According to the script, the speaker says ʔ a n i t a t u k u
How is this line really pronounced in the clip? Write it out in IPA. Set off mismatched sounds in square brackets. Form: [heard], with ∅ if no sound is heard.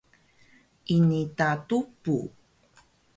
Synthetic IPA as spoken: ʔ [i] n i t a t u [p] u